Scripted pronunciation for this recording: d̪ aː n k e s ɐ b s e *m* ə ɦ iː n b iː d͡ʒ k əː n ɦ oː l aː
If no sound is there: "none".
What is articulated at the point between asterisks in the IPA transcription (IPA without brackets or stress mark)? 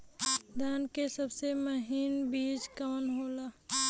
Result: m